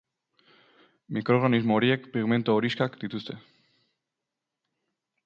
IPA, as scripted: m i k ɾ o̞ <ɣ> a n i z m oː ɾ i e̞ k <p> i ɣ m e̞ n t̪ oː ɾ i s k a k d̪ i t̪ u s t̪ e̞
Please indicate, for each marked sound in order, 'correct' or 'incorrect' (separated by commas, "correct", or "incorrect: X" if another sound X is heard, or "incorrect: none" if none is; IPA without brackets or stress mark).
correct, correct